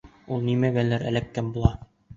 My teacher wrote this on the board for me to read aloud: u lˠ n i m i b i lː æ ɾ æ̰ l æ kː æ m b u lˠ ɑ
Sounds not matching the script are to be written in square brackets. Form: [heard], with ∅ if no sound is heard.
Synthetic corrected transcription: u lˠ n i m [æ] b [æ] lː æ ɾ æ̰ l æ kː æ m b u lˠ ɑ